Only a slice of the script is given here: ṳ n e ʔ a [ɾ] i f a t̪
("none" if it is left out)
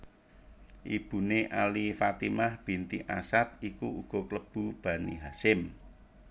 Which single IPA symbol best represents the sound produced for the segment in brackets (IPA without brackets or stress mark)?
l